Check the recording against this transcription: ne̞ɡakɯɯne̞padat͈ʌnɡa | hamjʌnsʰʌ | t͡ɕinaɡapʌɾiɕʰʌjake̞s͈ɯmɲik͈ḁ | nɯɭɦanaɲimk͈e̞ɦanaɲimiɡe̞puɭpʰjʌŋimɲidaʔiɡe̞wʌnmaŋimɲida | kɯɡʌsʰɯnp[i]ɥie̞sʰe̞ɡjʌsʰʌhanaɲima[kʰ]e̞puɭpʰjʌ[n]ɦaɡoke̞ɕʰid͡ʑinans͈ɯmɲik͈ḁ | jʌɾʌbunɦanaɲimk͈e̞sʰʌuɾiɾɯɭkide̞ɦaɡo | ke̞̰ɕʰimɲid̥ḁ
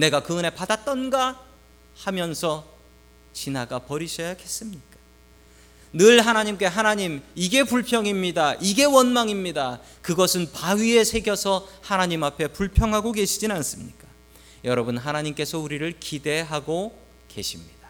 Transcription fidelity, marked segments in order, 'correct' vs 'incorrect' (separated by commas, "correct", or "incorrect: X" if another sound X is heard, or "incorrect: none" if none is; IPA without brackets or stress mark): incorrect: a, incorrect: pʰ, incorrect: ŋ